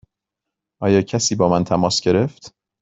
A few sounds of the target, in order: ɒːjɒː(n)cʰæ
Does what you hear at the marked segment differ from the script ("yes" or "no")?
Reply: yes